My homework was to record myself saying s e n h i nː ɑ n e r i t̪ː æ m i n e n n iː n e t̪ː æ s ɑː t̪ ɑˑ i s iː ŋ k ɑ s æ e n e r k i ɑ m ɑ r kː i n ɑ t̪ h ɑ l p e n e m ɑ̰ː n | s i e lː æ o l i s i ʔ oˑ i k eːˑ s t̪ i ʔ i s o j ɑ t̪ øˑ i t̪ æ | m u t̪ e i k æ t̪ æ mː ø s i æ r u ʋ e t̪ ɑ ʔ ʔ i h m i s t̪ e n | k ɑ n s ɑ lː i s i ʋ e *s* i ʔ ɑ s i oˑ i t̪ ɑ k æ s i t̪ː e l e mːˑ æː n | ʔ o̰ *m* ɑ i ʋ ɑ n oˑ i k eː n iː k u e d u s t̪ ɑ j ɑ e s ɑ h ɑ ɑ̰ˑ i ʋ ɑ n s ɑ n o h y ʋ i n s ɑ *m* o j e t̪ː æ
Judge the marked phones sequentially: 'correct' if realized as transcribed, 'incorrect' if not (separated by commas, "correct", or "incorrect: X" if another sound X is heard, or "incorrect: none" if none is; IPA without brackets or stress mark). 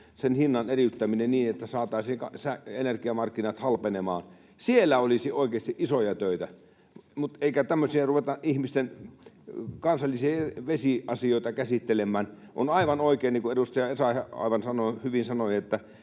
correct, incorrect: n, incorrect: n